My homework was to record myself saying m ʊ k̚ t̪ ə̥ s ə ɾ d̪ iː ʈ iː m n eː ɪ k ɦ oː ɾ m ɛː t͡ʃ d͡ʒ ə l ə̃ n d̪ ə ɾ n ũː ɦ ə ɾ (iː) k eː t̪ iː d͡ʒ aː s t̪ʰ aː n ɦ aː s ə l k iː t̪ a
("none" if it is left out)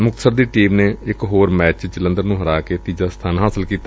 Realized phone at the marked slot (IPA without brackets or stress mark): aː